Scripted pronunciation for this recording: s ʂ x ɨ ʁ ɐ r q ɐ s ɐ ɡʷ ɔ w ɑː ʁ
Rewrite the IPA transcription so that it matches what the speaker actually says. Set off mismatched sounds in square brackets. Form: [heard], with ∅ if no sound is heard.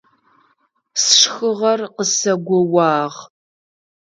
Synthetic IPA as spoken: s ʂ x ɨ ʁ ɐ r q [ə] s ɐ ɡʷ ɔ w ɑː ʁ